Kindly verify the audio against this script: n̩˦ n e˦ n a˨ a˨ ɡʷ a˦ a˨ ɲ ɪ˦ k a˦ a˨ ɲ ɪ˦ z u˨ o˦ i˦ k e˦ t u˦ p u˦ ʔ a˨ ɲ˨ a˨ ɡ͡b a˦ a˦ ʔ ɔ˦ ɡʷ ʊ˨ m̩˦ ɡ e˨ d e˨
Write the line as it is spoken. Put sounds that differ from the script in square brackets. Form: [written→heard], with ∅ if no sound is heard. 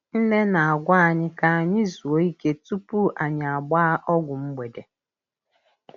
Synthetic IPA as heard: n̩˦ n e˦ n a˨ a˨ ɡʷ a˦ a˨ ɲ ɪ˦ k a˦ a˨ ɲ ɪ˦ z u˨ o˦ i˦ k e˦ t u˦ p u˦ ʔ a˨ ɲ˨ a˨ ɡ͡b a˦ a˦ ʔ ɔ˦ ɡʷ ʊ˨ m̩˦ [ɡ→ɡ͡b] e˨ d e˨